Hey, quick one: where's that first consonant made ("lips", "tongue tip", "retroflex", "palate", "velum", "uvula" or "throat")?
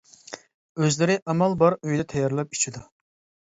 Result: tongue tip